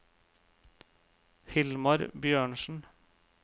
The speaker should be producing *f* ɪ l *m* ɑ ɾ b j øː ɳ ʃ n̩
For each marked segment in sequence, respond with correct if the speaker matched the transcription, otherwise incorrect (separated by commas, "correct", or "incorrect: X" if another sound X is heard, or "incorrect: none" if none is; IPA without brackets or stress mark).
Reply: incorrect: h, correct